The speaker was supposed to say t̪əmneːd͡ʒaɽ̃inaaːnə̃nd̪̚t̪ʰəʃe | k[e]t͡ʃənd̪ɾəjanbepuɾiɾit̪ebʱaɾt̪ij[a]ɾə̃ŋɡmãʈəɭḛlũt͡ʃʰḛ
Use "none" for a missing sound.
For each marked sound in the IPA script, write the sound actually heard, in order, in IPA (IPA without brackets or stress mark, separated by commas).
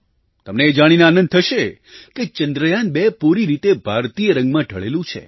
e, ə